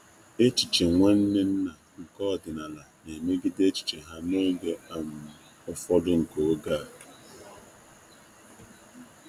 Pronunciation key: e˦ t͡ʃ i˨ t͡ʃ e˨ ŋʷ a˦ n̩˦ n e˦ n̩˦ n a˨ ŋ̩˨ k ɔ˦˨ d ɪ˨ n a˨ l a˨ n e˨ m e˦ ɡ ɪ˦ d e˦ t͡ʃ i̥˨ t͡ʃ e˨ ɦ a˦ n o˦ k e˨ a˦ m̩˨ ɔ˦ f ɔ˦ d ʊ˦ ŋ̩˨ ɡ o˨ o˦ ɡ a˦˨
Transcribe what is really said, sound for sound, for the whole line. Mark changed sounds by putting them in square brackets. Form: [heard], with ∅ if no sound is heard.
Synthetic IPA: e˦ t͡ʃ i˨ t͡ʃ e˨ ŋʷ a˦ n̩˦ n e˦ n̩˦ n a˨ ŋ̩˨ k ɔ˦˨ d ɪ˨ n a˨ l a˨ n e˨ m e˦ ɡ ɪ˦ d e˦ t͡ʃ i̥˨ t͡ʃ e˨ ɦ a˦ n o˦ [ɡ] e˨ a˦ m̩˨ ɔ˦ f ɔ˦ d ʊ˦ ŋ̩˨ [k] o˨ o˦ ɡ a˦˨